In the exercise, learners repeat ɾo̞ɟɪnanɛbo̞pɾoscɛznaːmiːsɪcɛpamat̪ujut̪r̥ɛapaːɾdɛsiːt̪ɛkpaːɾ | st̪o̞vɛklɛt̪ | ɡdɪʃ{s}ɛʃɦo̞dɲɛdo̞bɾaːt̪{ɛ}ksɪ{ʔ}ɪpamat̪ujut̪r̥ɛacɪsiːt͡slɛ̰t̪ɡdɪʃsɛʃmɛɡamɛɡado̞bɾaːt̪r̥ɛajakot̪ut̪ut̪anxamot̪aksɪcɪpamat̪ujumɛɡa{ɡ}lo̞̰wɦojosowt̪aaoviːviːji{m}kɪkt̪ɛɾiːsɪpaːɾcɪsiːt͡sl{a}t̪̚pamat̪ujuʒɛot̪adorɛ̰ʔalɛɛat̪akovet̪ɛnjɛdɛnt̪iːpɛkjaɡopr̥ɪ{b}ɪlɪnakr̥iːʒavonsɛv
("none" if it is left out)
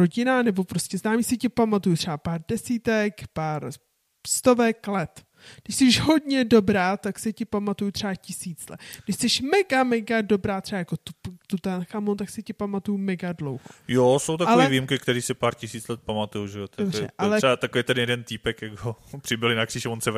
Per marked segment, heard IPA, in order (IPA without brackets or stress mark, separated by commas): s, a, c, d, m, ɛ, b